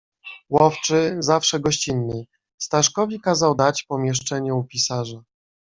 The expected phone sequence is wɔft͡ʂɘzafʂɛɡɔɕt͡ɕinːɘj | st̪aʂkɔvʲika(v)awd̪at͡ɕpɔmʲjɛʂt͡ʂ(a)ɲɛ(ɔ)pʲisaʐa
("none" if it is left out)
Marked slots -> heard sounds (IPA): z, ɛ, u

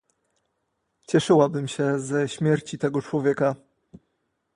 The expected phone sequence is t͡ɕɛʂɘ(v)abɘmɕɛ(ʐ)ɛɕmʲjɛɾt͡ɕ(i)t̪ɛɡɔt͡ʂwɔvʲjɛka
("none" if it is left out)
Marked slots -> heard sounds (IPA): w, z, i

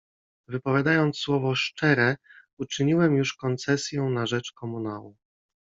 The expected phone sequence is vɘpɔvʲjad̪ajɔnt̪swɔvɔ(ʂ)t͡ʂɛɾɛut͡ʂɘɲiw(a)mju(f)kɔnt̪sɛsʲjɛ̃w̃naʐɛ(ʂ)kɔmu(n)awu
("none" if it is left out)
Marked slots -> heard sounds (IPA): ʂ, ɛ, ʂ, t͡ʂ, n

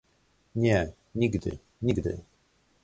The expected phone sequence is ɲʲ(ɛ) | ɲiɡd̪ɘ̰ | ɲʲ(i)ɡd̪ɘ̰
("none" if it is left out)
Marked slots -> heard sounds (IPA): ɛ, i

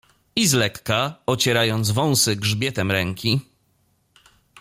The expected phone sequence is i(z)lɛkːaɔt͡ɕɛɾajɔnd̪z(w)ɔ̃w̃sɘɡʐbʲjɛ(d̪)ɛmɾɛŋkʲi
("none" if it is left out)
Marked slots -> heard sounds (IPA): z, v, t̪

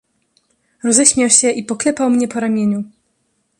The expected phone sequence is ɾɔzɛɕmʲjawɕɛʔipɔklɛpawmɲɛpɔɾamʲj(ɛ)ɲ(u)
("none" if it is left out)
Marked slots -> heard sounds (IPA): e, u

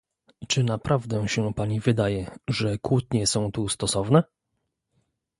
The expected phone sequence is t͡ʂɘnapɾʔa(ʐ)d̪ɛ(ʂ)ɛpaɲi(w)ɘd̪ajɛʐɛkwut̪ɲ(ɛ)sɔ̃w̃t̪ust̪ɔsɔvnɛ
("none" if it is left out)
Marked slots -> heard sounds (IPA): v, ɕ, v, ɛ

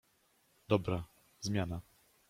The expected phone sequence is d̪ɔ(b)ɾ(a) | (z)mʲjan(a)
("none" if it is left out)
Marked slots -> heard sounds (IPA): b, a, z, a

